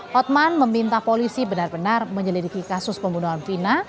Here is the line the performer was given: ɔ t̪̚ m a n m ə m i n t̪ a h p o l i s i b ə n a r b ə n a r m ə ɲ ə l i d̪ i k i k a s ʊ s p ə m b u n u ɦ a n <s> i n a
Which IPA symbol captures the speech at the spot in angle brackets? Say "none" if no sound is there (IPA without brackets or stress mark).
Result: f